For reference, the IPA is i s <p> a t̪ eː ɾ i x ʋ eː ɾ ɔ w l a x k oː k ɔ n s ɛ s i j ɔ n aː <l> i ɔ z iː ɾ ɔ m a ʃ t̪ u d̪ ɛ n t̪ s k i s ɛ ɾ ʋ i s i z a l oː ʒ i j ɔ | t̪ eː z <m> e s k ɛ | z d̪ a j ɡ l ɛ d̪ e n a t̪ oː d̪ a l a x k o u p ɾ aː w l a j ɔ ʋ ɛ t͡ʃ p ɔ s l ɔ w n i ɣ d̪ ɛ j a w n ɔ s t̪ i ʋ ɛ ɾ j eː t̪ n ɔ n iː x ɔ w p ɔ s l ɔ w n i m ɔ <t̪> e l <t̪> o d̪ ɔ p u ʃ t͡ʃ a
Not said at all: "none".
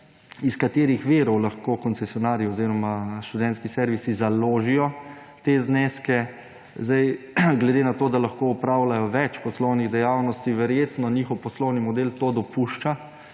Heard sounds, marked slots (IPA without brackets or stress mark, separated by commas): k, ɾ, n, d̪, t̪